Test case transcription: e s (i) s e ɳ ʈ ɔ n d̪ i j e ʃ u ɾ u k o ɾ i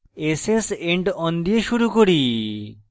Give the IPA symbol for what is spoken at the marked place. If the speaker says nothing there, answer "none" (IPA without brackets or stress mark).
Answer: e